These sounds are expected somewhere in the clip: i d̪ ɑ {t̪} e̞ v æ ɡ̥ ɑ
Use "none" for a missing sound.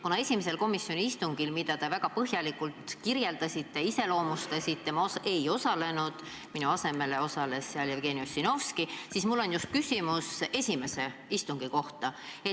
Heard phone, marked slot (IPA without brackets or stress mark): t̪